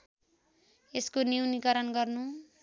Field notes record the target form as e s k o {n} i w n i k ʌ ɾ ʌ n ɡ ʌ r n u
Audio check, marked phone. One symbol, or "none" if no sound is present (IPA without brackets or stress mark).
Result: n